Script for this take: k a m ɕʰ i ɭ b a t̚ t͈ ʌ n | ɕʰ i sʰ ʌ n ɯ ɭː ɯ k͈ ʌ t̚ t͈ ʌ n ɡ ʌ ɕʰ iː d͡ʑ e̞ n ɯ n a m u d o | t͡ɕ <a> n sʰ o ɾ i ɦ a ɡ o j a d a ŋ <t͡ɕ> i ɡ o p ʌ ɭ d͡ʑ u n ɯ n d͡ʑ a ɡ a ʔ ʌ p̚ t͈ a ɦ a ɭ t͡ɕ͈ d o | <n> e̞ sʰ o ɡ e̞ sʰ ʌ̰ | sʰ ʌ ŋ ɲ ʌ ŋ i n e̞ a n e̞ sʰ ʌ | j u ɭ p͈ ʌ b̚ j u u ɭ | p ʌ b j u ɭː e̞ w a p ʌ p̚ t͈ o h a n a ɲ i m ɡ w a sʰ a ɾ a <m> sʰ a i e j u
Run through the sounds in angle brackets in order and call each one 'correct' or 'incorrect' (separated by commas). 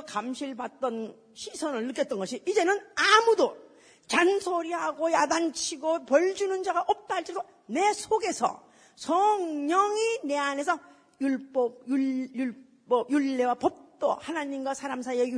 correct, incorrect, correct, correct